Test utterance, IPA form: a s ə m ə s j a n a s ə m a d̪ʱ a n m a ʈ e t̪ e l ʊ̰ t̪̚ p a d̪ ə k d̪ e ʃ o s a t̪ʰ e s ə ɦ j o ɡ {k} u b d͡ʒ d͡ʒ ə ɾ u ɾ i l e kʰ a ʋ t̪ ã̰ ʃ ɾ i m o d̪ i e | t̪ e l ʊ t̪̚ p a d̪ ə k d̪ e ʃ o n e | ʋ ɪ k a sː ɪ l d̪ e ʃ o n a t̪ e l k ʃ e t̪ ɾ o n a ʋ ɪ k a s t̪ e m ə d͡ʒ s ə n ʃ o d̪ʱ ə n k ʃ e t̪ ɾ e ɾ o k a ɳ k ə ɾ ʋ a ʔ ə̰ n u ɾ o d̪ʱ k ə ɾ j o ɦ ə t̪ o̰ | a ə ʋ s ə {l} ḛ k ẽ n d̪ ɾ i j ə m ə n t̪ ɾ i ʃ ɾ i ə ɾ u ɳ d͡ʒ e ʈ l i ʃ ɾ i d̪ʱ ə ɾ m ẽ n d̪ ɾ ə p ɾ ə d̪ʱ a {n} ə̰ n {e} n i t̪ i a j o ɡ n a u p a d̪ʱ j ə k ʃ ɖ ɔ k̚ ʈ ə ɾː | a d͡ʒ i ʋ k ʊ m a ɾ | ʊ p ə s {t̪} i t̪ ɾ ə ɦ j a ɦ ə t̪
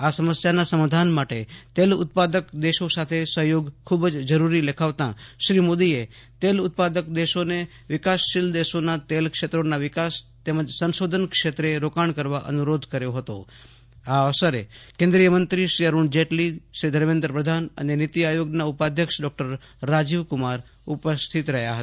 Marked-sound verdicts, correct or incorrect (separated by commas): incorrect, incorrect, correct, correct, incorrect